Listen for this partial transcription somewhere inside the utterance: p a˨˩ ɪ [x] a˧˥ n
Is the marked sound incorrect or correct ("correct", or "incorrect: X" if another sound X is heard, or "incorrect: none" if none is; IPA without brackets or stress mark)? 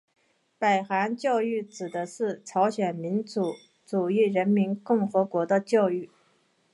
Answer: correct